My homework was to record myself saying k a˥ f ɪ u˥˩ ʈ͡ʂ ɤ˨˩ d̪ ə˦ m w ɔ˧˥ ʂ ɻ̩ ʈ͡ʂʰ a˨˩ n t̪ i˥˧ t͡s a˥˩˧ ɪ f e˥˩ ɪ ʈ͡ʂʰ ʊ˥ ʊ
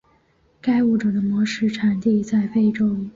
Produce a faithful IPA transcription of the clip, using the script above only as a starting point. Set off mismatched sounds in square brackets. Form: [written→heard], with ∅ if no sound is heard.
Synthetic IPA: k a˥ [f→∅] ɪ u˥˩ ʈ͡ʂ ɤ˨˩ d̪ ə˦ m w ɔ˧˥ ʂ ɻ̩ ʈ͡ʂʰ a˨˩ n t̪ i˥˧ t͡s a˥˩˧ ɪ f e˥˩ ɪ [ʈ͡ʂʰ→ʈ͡ʂ] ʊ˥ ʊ